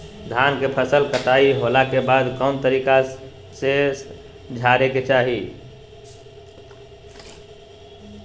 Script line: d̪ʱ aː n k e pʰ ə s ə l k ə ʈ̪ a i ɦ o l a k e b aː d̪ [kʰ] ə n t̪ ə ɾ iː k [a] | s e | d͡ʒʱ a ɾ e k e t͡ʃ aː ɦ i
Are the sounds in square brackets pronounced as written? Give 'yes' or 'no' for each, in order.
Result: no, yes

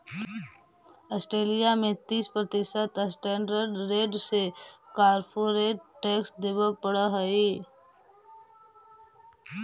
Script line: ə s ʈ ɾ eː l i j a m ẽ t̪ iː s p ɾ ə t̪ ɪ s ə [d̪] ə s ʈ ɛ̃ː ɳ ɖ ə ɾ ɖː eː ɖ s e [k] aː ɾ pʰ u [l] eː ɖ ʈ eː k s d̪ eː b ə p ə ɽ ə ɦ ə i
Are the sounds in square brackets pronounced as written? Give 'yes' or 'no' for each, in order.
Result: no, yes, no

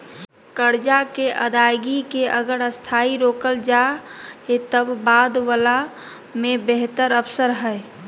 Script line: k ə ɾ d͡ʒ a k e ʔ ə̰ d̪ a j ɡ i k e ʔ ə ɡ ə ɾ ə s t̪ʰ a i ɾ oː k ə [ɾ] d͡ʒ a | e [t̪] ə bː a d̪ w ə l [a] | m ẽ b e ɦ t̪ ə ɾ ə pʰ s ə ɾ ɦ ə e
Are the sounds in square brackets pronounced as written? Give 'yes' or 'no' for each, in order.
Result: no, yes, yes

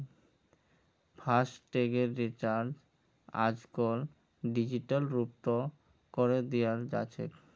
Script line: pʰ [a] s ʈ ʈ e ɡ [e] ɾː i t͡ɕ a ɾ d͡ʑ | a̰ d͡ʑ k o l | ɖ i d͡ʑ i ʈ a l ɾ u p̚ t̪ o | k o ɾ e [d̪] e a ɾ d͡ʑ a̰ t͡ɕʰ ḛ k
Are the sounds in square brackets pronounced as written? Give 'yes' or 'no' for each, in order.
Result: yes, yes, yes

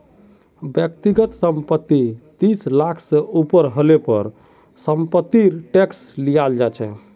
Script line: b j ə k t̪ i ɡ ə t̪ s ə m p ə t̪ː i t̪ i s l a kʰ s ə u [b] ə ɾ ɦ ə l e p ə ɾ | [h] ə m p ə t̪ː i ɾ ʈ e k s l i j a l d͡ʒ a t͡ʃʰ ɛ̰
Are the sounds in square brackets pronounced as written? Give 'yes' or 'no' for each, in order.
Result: no, no

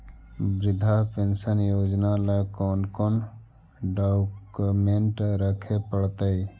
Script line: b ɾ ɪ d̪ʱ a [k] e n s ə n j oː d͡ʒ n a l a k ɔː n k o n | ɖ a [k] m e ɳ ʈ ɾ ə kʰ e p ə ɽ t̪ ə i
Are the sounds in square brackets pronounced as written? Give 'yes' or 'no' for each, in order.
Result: no, yes

